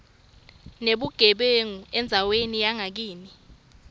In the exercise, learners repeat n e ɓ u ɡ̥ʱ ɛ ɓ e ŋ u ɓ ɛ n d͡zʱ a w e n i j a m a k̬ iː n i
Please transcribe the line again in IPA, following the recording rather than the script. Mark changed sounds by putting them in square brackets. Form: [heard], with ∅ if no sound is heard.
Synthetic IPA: n e ɓ u ɡ̥ʱ ɛ ɓ e ŋ u [∅] ɛ n d͡zʱ a w e n i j a [ŋ] a k̬ iː n i